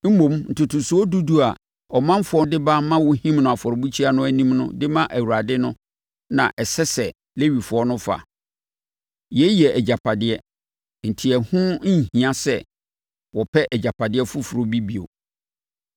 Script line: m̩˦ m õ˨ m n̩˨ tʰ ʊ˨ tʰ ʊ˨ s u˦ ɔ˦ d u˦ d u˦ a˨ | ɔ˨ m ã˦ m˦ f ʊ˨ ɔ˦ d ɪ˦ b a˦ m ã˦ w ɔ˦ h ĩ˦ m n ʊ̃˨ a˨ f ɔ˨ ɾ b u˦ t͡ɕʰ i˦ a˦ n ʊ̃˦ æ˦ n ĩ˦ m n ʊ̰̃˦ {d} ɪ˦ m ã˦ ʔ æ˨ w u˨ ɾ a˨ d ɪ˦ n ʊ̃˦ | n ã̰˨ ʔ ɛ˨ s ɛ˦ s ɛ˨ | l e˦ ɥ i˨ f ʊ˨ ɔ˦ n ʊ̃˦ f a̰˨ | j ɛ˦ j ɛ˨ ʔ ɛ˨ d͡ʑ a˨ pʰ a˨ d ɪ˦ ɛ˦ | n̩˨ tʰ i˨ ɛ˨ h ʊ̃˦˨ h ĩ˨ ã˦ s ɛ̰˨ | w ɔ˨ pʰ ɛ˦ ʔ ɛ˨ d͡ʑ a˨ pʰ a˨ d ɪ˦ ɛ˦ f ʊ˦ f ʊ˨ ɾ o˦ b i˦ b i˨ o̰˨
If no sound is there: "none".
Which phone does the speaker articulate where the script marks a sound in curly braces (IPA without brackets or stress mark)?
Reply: d